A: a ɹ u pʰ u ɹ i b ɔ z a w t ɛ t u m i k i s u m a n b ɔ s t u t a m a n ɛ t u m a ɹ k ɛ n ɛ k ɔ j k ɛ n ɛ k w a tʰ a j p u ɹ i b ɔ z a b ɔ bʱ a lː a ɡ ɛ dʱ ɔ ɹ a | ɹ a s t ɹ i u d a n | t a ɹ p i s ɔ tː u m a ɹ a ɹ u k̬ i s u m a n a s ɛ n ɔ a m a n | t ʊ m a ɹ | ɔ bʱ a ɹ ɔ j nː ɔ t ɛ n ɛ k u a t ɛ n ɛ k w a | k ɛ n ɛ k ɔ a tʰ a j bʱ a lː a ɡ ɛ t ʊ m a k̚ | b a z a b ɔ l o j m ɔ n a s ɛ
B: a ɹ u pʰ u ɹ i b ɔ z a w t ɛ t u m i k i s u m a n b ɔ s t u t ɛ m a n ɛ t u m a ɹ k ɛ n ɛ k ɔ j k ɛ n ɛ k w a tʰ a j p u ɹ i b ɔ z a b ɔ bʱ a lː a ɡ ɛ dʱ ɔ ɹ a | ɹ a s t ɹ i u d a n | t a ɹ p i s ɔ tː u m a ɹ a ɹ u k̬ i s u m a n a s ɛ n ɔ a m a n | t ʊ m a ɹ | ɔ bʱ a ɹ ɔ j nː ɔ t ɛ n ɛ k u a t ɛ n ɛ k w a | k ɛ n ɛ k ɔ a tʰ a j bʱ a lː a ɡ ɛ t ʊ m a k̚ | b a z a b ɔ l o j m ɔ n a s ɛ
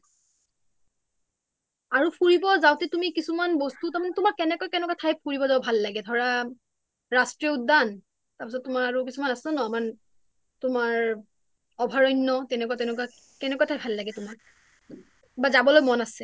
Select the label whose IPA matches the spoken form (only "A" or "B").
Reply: A